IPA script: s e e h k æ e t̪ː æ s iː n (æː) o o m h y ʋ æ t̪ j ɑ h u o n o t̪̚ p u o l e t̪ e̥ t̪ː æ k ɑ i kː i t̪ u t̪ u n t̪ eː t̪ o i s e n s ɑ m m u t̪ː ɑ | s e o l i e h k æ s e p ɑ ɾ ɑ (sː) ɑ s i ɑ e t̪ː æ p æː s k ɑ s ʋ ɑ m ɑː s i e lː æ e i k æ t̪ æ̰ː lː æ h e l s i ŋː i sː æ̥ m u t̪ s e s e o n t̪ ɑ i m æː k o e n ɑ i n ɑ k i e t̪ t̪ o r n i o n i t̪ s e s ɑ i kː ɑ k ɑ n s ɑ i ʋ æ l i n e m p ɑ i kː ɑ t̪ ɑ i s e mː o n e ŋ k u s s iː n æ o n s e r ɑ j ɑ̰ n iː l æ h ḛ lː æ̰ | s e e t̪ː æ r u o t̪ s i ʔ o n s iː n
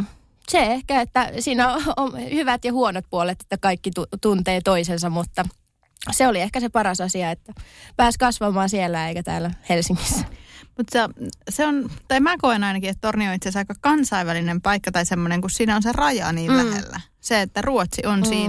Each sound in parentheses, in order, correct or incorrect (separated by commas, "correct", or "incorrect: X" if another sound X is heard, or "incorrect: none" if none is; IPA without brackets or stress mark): incorrect: æ, incorrect: s